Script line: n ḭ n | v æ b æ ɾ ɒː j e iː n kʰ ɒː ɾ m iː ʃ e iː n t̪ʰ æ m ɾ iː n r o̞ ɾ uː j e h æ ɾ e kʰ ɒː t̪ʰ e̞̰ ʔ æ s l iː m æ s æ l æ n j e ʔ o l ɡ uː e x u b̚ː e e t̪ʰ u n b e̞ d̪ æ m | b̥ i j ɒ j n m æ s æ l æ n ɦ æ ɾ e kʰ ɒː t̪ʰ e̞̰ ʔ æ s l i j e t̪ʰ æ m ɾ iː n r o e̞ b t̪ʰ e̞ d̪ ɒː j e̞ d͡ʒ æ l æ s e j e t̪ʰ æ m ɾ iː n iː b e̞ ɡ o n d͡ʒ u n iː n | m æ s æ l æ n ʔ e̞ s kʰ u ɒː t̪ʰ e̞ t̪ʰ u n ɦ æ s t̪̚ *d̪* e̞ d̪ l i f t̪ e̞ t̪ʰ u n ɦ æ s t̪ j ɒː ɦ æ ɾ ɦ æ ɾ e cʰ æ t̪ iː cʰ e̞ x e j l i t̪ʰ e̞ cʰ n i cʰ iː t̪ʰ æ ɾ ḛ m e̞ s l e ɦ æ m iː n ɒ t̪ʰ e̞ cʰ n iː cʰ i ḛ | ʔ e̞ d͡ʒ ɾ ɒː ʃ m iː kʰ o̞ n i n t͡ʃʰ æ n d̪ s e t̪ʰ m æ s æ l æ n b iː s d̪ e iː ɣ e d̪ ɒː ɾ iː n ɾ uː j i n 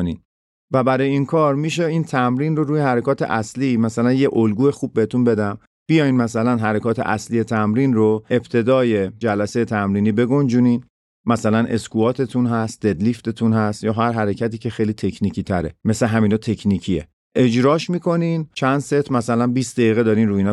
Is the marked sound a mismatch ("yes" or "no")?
no